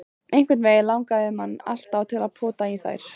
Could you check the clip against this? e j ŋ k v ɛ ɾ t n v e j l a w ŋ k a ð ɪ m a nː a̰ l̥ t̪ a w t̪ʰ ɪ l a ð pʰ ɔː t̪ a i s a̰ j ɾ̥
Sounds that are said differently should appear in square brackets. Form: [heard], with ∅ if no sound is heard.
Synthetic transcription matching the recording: e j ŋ k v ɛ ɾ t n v e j l a w ŋ k a ð ɪ m a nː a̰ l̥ t̪ a w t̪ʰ ɪ l a ð pʰ ɔː t̪ a i [θ] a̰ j ɾ̥